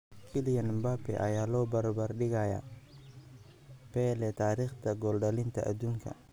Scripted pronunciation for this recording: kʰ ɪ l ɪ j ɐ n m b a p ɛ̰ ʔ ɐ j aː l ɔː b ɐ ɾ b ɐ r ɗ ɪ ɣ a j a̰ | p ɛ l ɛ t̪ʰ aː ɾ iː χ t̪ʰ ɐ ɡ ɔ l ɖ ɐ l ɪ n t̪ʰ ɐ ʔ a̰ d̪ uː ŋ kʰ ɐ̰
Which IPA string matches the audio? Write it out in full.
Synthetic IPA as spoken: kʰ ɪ l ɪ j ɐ n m b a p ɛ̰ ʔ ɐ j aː l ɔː b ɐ ɾ b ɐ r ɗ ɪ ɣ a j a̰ | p ɛ l ɛ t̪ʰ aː ɾ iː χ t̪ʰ ɐ ɡ ɔ l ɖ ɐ l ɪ n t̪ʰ ɐ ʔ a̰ d̪ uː ŋ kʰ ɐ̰

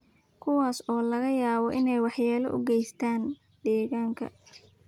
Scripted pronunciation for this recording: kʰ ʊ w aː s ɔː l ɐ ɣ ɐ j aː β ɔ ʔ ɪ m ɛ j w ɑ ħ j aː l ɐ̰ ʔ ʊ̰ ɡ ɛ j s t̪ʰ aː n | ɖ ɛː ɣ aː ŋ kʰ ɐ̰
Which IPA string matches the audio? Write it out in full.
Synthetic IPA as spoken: kʰ ʊ w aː s ɔː l ɐ ɣ ɐ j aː β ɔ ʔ ɪ n ɛ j w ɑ ħ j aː l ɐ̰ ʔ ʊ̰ ɡ ɛ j s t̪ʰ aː n | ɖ ɛː ɣ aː ŋ kʰ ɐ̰

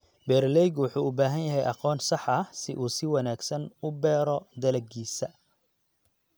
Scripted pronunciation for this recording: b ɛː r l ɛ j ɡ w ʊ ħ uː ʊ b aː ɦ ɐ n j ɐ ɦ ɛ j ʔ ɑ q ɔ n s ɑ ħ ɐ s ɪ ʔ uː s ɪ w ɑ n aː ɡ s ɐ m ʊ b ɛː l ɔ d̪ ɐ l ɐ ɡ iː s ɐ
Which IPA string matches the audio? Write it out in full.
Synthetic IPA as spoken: b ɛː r l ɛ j ɡ w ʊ ħ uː ʊ b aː ɦ ɐ n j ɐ ɦ ɛ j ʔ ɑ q ɔː n s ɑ ħ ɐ s ɪ ʔ uː s ɪ w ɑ n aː ɡ s ɐ n ʊ b ɛː ɾ ɔ d̪ ɐ l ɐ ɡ iː s ɐ

